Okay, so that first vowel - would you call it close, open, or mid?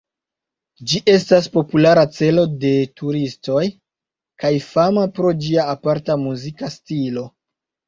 close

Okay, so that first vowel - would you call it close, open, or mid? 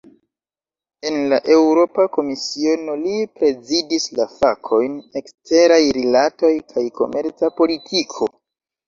mid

